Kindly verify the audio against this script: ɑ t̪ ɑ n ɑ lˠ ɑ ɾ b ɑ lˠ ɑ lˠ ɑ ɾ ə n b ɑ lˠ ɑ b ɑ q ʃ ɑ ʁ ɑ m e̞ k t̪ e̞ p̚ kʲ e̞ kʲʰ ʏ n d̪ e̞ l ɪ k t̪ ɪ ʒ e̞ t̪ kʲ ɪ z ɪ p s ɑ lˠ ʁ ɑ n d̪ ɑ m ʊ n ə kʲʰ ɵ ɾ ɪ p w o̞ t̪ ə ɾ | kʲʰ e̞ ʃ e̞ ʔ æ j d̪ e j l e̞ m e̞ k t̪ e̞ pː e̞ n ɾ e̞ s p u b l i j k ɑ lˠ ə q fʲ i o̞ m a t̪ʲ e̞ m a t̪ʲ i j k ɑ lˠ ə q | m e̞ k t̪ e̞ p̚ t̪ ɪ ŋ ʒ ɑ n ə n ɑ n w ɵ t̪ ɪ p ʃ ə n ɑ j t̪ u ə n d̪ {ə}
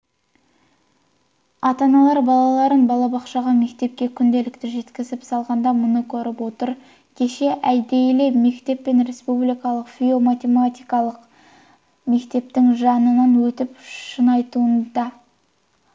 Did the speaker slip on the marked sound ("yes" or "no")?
yes